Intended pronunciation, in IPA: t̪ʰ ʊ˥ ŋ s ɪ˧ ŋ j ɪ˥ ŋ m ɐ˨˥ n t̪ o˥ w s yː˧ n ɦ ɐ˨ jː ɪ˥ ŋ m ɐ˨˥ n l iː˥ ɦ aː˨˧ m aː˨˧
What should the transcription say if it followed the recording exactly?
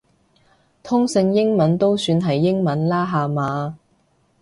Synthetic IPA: t̪ʰ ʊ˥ ŋ s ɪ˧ ŋ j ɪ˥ ŋ m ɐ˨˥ n t̪ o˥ w s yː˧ n ɦ ɐ˨ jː ɪ˥ ŋ m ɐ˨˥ n l aː˥ ɦ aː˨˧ m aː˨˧